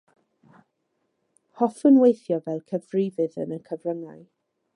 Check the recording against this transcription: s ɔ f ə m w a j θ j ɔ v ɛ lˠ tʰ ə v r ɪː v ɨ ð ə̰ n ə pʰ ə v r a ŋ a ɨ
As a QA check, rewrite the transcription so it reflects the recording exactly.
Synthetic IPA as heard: h ɔ f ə n w e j θ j ɔ v ɛ lˠ kʰ ə v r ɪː v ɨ ð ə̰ n ə kʰ ə v r ə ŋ a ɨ